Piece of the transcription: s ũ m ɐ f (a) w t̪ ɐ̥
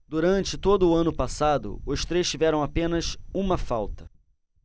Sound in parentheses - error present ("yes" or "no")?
no